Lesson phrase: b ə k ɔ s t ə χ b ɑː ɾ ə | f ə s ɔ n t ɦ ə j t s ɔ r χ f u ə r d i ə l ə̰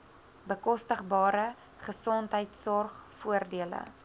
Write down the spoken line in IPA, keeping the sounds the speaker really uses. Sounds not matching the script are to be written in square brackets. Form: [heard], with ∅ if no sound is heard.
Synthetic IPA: b ə k ɔ s t ə χ b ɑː ɾ ə | [χ] ə s ɔ n t ɦ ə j t s ɔ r χ f u ə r d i ə l ə̰